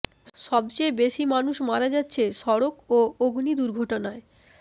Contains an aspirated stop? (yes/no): no